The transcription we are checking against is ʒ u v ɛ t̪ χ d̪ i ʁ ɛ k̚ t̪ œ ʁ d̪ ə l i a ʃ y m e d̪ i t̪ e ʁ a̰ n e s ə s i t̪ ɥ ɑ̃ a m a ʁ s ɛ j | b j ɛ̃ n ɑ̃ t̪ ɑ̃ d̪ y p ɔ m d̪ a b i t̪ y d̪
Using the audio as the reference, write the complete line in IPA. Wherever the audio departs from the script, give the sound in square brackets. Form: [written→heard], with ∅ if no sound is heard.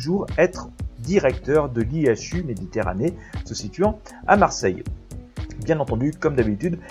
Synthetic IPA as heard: ʒ u [v→ʁ] ɛ t̪ χ d̪ i ʁ ɛ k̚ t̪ œ ʁ d̪ ə l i a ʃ y m e d̪ i t̪ e ʁ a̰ n e s ə s i t̪ ɥ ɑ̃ a m a ʁ s ɛ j | b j ɛ̃ n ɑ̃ t̪ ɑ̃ d̪ y [p→k] ɔ m d̪ a b i t̪ y d̪